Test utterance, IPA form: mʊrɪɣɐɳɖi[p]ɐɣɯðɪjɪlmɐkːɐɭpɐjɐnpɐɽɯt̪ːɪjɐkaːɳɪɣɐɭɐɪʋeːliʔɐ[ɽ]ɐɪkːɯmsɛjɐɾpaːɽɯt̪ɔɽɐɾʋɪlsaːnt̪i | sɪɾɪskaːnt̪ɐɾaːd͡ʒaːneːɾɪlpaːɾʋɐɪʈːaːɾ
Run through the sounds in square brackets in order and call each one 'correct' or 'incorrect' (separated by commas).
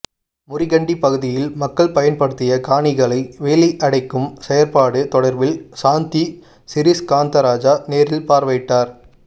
correct, correct